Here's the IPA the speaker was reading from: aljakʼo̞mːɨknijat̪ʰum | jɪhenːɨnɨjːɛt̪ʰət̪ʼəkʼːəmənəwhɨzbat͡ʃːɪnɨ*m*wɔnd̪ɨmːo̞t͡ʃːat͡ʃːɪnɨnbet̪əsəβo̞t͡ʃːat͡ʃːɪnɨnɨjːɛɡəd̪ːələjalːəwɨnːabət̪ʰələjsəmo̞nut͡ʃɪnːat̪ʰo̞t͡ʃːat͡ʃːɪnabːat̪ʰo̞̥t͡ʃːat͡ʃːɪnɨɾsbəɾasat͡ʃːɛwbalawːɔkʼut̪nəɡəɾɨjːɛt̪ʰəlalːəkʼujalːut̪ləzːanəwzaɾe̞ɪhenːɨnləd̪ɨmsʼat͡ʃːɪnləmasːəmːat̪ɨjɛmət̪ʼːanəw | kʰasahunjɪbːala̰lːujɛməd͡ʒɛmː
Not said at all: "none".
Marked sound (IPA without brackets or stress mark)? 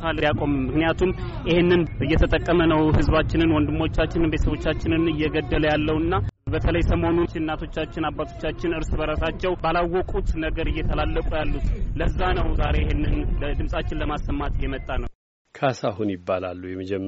n